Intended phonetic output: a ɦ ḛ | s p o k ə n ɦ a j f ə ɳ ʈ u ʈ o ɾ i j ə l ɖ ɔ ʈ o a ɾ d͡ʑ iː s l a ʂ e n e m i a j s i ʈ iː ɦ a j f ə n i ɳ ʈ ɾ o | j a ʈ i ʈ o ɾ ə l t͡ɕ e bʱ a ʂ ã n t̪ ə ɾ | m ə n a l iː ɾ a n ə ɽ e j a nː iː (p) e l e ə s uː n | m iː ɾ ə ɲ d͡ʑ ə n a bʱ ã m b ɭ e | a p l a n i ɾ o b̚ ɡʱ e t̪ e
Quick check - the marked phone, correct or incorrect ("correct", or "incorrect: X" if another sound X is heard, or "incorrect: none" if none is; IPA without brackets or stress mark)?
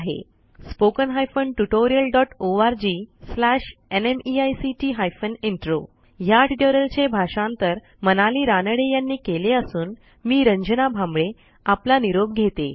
incorrect: k